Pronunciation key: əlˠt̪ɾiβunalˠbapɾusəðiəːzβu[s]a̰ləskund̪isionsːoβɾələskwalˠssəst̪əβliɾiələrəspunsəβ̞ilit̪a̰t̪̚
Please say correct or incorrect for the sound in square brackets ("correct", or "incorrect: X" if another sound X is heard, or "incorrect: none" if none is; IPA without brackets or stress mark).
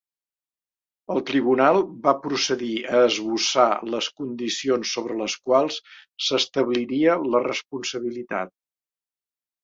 correct